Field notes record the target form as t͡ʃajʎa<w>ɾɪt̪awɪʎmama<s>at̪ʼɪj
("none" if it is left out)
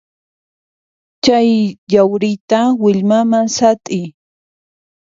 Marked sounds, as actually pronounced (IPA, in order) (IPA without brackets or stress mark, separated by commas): w, s